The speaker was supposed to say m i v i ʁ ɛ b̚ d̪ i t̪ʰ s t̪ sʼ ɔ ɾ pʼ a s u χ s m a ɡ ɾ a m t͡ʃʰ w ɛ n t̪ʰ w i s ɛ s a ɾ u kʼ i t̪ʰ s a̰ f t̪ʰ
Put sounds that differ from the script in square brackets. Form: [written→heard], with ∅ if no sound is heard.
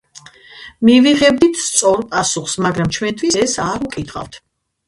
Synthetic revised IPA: m i v i ʁ ɛ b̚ d̪ i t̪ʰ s t̪ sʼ ɔ ɾ pʼ a s u χ s m a ɡ ɾ a m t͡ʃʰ w ɛ n t̪ʰ w i s ɛ s a ɾ u kʼ i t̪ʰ [s→χ] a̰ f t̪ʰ